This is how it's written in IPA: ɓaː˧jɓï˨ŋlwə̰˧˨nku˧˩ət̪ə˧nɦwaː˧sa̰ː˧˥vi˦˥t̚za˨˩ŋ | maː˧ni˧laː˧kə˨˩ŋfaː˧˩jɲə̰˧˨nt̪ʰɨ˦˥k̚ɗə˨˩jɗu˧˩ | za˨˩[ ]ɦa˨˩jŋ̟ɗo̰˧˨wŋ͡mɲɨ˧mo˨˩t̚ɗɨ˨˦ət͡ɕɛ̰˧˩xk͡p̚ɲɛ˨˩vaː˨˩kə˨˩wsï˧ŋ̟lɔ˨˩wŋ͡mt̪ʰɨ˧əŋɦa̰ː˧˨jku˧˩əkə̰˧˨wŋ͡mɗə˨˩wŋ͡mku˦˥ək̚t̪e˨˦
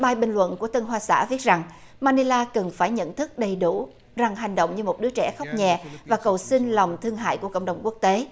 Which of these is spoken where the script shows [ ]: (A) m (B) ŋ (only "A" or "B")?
B